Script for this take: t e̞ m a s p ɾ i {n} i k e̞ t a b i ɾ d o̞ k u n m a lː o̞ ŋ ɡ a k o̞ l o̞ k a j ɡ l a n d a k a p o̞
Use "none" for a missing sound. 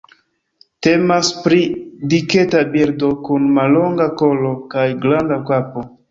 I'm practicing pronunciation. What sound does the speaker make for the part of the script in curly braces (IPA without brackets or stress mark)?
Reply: d